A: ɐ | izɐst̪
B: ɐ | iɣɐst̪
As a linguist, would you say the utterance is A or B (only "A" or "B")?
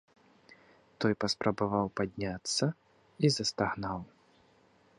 A